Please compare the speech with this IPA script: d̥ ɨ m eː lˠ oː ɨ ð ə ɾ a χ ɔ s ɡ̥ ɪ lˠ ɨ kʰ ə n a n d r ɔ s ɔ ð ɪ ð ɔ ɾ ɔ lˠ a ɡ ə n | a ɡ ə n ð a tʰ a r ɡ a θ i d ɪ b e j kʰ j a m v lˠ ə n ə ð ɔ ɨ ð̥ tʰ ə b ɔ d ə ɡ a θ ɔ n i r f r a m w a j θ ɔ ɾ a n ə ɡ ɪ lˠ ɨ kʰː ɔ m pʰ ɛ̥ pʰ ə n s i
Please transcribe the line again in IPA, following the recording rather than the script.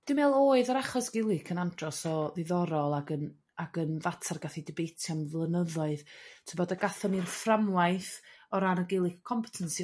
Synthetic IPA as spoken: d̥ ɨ m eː lˠ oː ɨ ð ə ɾ a χ ɔ s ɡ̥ ɪ lˠ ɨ kʰ ə n a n d r ɔ s ɔ ð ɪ ð ɔ ɾ ɔ lˠ a ɡ ə n | a ɡ ə n v a tʰ a r ɡ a θ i d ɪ b e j tʰ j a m v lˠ ə n ə ð ɔ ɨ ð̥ tʰ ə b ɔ d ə ɡ a θ ɔ n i r f r a m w a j θ ɔ ɾ a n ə ɡ ɪ lˠ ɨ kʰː ɔ m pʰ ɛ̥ tʰ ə n s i

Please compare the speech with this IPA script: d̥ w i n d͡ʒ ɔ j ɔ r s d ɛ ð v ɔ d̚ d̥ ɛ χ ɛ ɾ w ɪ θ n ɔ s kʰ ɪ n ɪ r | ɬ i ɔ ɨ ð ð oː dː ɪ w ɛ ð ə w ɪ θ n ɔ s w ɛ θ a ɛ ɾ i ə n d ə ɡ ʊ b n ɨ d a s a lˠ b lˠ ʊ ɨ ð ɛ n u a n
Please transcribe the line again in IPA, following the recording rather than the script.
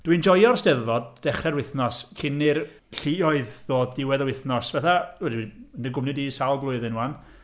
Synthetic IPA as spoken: d̥ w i n d͡ʒ ɔ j ɔ r s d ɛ ð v ɔ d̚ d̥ ɛ χ ɛ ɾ w ɪ θ n ɔ s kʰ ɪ n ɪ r | ɬ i ɔ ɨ ð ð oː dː ɪ w ɛ ð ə w ɪ θ n ɔ s v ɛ θ a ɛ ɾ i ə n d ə ɡ ʊ m n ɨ d i s a lˠ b lˠ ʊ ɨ ð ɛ n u a n

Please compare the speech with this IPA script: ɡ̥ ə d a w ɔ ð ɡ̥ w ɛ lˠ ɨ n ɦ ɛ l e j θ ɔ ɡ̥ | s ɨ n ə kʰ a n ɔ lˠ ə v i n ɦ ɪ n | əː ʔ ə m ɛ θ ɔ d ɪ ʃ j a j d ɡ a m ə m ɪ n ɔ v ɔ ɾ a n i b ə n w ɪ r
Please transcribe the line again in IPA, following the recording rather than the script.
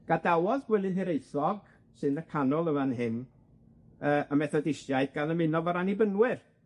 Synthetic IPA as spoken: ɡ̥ a d a w ɔ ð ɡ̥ w ɛ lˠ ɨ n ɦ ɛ ɾ e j θ ɔ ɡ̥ | s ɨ n ə kʰ a n ɔ lˠ ə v a n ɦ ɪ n | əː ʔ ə m ɛ θ ɔ d ɪ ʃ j a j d ɡ a n ə m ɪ n ɔ v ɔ ɾ a n i b ə n w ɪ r

